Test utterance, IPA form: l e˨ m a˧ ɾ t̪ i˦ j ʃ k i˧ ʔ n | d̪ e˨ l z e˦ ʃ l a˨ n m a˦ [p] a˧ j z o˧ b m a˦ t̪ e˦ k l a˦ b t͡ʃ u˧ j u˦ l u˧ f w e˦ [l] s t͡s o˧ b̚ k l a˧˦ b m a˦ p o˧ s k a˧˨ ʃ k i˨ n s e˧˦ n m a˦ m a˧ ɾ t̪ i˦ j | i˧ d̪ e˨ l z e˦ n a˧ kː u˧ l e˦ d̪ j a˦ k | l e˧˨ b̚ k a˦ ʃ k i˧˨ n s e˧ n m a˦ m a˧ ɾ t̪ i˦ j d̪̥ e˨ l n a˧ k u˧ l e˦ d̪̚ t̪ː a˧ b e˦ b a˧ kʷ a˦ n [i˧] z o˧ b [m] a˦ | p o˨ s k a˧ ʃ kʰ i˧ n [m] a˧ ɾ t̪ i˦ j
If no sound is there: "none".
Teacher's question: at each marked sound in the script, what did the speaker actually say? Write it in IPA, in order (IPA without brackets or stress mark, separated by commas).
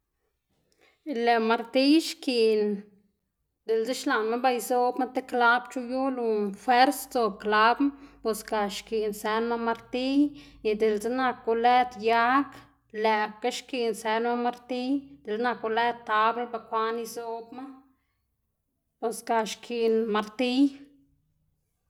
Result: b, ɾ, i˧, m, m